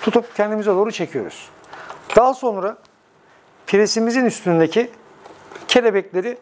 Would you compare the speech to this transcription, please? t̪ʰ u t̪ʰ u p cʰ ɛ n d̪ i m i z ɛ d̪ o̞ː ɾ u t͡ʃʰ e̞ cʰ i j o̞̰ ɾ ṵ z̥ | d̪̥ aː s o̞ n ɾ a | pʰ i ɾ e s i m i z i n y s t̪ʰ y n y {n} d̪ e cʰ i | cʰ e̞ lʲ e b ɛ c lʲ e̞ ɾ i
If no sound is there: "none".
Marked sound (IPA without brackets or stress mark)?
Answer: n